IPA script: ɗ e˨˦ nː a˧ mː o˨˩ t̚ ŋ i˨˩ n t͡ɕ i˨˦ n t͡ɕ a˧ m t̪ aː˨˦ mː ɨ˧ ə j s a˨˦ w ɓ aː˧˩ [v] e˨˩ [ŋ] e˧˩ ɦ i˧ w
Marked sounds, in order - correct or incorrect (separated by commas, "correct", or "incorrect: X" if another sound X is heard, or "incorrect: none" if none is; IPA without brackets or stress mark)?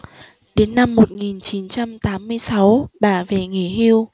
correct, correct